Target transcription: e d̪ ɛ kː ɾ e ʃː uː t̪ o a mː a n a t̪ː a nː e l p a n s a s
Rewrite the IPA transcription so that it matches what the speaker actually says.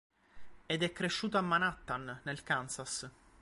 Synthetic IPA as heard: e d̪ ɛ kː ɾ e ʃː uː t̪ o a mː a n a t̪ː a nː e l k a n s a s